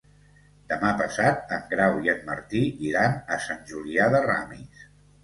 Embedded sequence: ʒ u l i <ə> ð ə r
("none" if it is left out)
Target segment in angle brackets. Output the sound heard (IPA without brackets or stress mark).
a